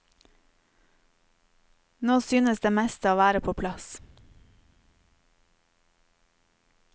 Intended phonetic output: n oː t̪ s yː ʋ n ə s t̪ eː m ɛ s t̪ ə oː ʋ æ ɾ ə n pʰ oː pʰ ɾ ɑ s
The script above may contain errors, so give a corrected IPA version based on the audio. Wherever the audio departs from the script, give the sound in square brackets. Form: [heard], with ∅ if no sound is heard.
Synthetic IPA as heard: n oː [∅] s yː [∅] n ə s [d̪] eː m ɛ s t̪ ə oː ʋ [æː] ɾ ə [∅] pʰ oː pʰ [l] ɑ s